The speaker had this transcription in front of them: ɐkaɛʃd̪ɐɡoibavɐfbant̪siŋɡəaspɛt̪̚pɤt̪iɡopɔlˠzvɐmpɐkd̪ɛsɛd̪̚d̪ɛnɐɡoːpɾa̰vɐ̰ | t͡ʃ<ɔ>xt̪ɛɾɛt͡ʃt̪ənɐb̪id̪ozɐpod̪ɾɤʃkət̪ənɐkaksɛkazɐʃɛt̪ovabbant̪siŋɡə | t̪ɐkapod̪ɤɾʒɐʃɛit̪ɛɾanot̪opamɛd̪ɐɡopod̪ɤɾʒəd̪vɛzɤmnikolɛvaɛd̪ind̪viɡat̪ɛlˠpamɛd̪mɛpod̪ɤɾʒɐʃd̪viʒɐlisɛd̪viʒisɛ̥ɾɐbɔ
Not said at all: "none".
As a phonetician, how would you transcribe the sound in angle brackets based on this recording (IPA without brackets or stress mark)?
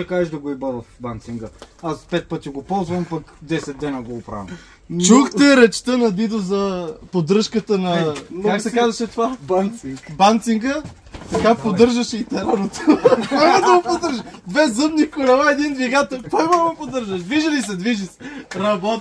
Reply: u